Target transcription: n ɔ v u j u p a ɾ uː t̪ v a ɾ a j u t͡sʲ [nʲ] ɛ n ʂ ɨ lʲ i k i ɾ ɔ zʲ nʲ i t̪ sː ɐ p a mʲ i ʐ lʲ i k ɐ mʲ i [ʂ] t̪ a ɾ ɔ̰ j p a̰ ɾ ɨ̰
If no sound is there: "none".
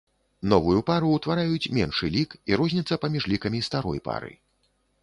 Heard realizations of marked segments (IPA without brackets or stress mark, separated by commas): mʲ, s